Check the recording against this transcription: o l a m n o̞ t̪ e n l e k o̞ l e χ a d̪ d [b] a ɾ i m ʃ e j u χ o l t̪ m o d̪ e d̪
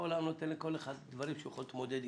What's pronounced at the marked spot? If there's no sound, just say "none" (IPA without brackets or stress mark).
v